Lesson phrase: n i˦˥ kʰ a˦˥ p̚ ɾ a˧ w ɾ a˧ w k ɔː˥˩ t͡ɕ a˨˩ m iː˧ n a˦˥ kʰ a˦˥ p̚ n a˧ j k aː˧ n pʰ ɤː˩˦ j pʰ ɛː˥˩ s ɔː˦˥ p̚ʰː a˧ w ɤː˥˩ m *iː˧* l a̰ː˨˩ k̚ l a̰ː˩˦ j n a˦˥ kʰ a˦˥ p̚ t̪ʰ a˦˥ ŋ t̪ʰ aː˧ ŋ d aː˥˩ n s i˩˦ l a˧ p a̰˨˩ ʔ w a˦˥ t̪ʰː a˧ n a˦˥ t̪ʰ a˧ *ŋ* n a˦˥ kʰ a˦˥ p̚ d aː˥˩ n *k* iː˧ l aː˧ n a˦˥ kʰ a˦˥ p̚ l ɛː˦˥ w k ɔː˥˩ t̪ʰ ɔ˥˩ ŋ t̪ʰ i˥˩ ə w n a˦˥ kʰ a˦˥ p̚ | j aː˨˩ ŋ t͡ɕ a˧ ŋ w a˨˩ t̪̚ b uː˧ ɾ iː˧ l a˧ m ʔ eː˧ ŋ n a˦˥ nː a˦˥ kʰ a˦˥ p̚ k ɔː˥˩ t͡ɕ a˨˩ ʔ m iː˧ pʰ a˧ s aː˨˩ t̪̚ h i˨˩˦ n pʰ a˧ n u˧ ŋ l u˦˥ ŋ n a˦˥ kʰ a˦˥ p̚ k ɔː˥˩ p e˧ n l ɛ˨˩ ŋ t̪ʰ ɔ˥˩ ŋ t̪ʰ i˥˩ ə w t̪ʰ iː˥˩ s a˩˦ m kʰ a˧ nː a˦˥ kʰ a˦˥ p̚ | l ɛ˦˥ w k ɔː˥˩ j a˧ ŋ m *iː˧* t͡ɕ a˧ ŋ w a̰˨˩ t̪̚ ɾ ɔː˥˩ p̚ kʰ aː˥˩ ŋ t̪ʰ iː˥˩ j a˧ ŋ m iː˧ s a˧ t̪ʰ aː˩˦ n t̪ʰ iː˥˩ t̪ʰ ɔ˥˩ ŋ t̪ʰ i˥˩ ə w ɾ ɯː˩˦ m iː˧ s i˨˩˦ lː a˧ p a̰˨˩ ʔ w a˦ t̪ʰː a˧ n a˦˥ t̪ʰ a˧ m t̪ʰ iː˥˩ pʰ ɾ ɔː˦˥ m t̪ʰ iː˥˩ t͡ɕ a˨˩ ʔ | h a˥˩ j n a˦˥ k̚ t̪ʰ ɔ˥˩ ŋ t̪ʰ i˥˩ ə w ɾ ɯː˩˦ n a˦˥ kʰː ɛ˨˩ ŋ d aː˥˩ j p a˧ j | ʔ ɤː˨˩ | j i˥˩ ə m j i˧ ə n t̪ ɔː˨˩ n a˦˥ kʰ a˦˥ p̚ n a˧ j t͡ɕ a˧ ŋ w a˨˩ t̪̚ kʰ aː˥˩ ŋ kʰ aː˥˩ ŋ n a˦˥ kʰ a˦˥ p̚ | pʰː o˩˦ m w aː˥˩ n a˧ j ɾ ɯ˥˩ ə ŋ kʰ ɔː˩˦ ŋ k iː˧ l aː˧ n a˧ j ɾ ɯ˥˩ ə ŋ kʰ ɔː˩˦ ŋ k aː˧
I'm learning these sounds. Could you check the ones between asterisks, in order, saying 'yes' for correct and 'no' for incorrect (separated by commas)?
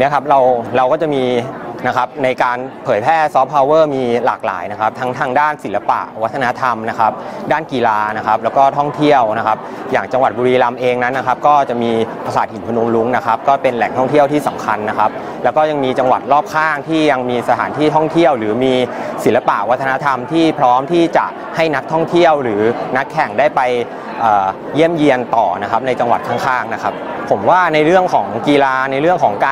yes, no, yes, yes